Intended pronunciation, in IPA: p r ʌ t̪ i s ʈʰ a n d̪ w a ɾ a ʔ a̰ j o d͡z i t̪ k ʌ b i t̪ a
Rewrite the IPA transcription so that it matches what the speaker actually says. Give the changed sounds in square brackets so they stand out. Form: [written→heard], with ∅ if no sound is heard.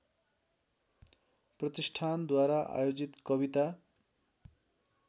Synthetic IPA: p r ʌ t̪ i s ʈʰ a n d̪ w a ɾ a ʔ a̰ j o d͡z i t̪ k ʌ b i t̪ a